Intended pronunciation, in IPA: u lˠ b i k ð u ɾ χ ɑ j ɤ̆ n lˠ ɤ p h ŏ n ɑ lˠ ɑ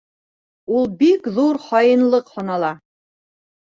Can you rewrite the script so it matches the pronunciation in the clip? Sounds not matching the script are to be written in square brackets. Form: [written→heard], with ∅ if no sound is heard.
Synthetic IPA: u lˠ b i k ð u ɾ χ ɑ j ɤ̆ n lˠ ɤ [p→q] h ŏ n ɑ lˠ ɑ